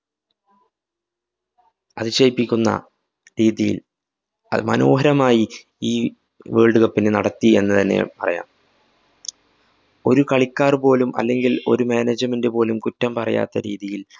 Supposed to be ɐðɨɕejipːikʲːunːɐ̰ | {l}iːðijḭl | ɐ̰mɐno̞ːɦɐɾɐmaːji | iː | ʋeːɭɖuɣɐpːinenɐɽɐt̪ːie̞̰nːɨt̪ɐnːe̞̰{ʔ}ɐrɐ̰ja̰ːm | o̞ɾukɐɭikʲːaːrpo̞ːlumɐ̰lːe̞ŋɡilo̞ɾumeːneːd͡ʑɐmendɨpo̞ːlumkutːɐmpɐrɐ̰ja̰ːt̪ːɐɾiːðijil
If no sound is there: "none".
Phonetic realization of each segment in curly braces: ɾ, p

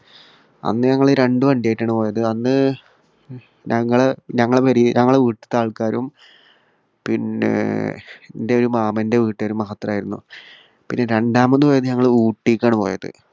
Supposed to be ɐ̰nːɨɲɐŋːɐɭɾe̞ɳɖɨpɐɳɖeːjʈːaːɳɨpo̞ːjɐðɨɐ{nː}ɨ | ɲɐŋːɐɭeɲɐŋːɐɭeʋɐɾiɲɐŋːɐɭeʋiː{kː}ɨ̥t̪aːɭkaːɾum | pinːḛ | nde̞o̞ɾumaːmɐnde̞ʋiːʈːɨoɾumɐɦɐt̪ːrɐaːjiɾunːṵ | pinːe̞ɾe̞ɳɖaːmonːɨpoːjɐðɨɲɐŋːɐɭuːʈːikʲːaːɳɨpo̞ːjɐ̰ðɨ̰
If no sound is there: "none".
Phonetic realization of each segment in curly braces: nː, ʈː

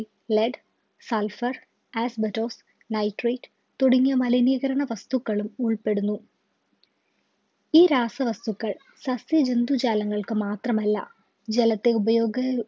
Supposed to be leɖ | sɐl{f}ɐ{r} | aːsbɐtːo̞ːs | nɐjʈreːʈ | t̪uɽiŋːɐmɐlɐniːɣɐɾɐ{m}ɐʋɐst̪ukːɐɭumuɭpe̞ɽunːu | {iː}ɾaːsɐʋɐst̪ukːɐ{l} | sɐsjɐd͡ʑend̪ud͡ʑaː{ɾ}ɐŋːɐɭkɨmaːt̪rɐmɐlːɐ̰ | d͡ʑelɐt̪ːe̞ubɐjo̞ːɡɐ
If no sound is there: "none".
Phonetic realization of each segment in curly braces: f, r, ɳ, iː, ɭ, l

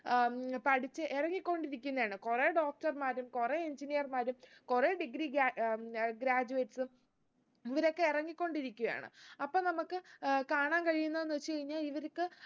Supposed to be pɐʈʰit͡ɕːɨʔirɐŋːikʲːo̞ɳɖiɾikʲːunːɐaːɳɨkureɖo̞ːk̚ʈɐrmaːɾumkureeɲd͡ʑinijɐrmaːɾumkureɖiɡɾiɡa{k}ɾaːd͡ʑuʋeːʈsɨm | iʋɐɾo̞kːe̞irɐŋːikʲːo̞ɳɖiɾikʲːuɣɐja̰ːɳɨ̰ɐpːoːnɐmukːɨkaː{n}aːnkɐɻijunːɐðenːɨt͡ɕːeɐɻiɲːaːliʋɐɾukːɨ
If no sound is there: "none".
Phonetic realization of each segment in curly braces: ɡ, ɳ

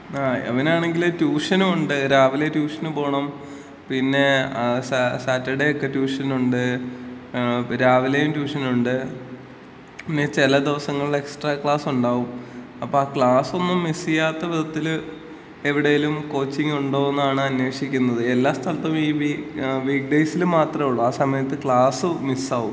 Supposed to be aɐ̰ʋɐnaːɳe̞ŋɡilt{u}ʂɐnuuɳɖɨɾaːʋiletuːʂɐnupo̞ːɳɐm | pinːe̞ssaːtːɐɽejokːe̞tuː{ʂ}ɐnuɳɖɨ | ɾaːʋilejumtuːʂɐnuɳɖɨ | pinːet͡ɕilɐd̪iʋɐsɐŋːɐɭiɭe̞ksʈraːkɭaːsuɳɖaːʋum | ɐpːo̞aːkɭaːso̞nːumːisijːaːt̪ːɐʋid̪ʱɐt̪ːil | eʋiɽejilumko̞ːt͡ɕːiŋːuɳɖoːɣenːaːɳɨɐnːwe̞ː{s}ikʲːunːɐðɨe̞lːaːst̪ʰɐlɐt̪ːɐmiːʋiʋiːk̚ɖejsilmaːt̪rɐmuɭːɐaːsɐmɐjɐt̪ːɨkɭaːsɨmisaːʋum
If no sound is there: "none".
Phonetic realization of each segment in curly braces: uː, ʂ, ʂ

